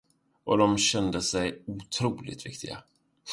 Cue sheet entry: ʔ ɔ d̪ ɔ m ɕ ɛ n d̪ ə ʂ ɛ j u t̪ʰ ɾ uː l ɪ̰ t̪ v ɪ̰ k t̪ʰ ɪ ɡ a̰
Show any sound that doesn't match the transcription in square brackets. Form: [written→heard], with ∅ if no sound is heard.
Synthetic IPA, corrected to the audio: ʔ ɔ d̪ ɔ m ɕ ɛ n d̪ ə [ʂ→s] ɛ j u t̪ʰ ɾ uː l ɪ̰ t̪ v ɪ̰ k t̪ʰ ɪ ɡ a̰